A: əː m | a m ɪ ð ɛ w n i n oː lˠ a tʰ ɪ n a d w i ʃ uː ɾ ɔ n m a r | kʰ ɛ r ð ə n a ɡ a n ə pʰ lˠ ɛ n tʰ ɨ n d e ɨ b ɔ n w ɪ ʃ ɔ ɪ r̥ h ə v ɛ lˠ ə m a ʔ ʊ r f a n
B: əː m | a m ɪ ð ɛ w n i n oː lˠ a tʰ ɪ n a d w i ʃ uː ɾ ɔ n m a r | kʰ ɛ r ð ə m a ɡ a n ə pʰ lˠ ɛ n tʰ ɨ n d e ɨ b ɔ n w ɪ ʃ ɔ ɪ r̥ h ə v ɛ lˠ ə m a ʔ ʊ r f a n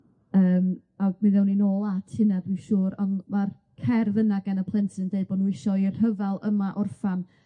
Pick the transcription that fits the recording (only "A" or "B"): A